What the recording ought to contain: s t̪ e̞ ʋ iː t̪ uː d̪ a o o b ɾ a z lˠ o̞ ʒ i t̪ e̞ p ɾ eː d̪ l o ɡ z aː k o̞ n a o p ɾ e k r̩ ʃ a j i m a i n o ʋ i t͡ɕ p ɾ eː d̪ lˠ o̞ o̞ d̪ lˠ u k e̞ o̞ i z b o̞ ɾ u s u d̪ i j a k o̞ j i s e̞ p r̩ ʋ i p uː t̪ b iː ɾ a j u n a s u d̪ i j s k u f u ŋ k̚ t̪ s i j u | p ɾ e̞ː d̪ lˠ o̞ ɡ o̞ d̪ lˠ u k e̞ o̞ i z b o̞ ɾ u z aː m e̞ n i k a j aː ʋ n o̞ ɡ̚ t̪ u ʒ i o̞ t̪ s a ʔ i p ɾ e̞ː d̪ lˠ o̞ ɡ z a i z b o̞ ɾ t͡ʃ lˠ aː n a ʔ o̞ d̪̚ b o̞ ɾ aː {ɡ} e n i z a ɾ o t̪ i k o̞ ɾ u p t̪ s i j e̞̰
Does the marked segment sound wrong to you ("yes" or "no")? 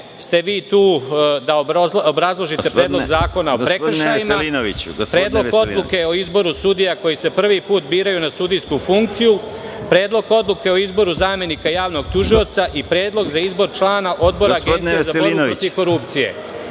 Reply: no